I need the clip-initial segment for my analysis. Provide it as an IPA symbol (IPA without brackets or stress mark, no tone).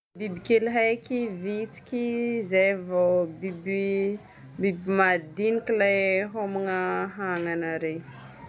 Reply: b